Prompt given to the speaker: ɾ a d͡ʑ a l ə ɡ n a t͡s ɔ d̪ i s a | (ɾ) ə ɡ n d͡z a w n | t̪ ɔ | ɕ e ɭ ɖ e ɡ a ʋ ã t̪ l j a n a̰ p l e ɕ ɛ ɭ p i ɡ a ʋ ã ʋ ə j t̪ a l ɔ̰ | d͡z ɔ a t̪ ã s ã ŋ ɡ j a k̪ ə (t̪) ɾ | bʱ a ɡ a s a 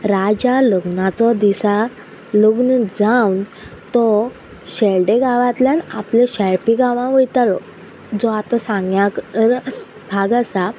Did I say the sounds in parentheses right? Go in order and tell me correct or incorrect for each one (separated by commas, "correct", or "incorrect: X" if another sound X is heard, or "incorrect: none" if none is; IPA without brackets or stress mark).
incorrect: l, incorrect: none